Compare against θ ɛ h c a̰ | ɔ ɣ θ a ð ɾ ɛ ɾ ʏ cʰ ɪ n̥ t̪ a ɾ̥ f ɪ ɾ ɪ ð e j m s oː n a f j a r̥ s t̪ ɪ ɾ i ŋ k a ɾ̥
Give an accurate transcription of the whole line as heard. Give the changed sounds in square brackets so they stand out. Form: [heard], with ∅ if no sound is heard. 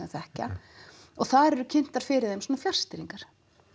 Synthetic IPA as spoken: θ ɛ h c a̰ | ɔ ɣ θ a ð ɾ ɛ ɾ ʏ cʰ ɪ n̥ t̪ a ɾ̥ f ɪ ɾ ɪ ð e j m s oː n a f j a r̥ s t̪ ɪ ɾ i ŋ k a ɾ̥

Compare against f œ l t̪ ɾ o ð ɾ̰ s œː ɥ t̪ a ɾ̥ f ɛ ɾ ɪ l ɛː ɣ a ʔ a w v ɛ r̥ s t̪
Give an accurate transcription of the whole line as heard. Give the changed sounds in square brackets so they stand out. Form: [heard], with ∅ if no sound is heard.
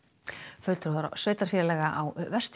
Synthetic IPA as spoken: f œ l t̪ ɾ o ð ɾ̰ s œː ɥ t̪ a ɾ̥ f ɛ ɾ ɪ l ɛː ɣ a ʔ a w v ɛ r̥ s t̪

